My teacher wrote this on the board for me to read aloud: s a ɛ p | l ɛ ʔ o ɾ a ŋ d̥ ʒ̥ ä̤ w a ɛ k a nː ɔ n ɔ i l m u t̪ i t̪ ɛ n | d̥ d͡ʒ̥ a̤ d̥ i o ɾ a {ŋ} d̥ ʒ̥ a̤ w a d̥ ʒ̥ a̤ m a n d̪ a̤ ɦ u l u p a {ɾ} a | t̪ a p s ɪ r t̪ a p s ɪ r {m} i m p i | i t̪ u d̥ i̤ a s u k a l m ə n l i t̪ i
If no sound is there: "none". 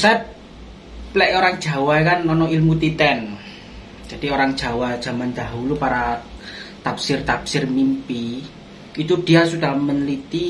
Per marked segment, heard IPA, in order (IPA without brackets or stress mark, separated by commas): ŋ, ɾ, m